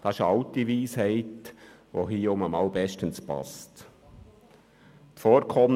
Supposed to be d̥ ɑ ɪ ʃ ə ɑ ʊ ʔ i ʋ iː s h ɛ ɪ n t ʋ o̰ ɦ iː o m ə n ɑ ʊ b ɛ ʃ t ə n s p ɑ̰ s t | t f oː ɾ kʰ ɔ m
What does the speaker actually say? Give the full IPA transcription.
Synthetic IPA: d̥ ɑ ɪ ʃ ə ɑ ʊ t i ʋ iː s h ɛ ɪ t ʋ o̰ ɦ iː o m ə m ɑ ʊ b ɛ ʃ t ə n s p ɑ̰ s t | t f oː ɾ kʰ ɔ m